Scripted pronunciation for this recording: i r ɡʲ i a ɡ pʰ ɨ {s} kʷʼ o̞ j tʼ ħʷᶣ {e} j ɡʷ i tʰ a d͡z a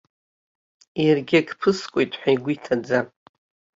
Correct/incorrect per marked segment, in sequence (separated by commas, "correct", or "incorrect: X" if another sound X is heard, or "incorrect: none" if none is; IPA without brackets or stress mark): correct, incorrect: a